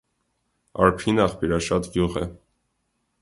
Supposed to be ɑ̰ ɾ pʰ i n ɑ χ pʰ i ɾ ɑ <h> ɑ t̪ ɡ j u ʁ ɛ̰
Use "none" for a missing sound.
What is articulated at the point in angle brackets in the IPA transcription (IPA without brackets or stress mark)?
ʃ